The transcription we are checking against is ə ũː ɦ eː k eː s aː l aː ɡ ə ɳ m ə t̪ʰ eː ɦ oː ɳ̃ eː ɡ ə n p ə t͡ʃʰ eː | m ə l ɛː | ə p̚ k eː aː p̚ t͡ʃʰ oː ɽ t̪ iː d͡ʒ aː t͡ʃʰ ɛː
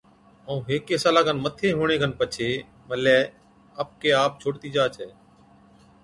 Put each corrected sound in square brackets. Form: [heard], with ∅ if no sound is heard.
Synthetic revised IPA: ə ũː ɦ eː k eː s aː l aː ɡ ə [n] m ə t̪ʰ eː ɦ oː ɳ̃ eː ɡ ə n p ə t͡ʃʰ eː | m ə l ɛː | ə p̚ k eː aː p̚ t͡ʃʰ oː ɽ t̪ iː d͡ʒ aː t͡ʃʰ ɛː